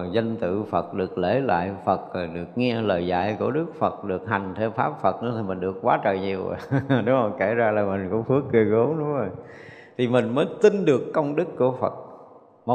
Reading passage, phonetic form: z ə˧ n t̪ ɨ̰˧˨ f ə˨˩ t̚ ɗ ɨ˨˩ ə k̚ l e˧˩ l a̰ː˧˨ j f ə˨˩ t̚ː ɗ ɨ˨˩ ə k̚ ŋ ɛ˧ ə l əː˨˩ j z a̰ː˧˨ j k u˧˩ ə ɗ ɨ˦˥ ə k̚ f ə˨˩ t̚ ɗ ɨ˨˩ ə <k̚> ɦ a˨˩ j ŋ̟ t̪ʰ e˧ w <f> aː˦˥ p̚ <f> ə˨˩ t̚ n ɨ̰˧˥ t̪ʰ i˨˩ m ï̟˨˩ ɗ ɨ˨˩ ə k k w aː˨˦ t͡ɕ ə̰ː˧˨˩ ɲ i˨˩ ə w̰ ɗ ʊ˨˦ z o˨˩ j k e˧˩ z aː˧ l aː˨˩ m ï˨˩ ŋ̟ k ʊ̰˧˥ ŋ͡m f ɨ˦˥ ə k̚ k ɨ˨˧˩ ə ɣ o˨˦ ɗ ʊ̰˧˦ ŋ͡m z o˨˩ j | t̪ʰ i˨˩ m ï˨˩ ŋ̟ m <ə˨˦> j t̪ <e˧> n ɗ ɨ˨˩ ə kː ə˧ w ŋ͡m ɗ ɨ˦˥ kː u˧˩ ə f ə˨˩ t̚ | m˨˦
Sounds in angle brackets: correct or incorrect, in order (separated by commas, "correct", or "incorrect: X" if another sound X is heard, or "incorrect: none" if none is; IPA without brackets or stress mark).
correct, correct, correct, incorrect: əː˨˦, incorrect: i˧